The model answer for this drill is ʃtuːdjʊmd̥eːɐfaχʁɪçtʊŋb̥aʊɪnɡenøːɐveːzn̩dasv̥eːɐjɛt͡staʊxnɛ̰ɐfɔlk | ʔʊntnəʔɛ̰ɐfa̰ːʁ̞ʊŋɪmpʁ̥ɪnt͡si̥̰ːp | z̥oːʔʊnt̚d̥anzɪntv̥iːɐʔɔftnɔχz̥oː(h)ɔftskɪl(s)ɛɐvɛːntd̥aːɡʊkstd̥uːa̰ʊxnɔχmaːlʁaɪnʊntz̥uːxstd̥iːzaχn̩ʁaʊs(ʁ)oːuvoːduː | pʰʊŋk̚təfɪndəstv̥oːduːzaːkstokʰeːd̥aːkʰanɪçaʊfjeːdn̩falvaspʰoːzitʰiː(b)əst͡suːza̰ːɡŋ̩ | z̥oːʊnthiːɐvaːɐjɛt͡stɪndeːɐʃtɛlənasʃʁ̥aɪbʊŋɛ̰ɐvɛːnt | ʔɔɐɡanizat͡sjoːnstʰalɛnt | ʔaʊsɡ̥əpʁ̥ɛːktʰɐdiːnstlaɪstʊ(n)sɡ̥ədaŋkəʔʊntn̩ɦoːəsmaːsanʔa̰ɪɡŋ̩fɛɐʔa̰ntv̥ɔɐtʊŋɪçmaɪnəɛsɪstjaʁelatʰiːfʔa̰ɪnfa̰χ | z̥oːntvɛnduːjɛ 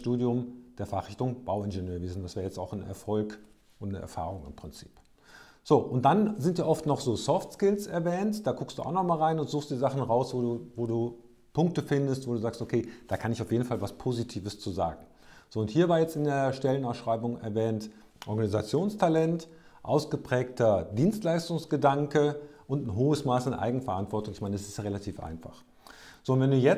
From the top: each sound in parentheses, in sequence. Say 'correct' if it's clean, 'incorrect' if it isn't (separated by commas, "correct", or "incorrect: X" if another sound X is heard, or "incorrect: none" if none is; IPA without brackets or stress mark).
incorrect: s, correct, incorrect: v, incorrect: v, incorrect: ŋ